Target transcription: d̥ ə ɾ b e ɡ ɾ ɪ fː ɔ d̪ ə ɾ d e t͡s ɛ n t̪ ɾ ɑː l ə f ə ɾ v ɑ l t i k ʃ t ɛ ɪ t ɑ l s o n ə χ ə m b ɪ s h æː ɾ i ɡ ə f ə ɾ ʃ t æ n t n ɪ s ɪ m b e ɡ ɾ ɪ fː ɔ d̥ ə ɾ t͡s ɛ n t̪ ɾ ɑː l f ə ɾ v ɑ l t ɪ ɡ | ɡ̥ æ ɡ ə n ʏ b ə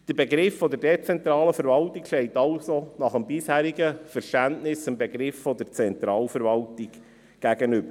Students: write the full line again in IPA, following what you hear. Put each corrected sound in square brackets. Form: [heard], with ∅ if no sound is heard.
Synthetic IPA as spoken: d̥ ə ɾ b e ɡ ɾ ɪ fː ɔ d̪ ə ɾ d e t͡s ɛ n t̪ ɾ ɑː l ə f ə ɾ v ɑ l t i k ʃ t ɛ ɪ t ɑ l s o n [ɑ] χ ə m b ɪ s h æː ɾ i ɡ ə f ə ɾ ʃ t æ n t n ɪ s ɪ m b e ɡ ɾ ɪ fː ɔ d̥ ə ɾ t͡s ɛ n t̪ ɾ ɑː l f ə ɾ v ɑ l t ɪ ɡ | ɡ̥ æ ɡ ə n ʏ b ə